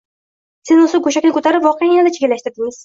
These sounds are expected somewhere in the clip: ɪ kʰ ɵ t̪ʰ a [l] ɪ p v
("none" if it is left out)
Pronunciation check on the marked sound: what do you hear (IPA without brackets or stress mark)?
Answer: ɾ